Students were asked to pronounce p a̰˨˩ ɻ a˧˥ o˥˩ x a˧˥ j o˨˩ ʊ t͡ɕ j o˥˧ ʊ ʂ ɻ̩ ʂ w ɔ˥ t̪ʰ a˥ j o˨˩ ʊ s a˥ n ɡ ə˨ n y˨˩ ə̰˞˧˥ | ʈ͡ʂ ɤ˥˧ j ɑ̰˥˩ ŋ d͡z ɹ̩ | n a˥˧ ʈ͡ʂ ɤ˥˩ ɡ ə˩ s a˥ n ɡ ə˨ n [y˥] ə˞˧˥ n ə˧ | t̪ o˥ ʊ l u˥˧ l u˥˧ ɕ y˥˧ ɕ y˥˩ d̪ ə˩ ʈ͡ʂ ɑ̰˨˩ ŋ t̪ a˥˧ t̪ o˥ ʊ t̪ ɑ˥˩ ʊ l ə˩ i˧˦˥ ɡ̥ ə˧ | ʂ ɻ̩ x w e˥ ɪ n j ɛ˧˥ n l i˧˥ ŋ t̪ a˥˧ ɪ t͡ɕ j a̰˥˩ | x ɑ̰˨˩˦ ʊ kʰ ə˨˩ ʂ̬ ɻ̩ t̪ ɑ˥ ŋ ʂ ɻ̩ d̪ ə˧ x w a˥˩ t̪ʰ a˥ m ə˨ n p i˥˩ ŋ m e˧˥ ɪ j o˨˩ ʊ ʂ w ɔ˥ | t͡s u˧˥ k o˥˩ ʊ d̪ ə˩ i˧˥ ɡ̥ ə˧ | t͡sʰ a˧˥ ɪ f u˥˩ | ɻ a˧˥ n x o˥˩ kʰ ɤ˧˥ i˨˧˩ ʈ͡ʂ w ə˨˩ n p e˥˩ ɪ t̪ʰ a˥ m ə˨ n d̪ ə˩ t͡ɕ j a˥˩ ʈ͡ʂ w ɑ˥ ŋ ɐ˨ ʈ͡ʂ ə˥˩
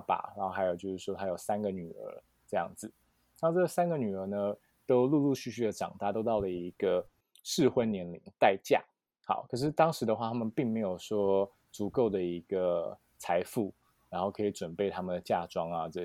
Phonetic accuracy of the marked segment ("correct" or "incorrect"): incorrect